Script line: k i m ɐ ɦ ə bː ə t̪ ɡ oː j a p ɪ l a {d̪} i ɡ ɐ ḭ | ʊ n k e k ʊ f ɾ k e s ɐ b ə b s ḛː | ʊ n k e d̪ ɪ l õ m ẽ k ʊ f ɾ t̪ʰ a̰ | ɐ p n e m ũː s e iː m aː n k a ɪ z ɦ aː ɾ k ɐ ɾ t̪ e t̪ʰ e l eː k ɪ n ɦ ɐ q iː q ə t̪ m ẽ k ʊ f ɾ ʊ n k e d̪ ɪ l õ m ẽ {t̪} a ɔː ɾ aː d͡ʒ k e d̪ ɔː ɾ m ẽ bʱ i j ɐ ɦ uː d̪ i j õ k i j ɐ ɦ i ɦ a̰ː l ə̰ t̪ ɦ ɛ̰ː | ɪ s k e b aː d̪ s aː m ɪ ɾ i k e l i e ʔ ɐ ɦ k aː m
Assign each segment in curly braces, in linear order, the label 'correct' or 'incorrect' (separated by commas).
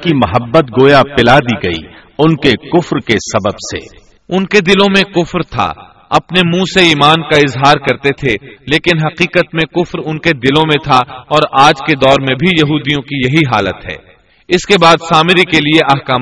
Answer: correct, incorrect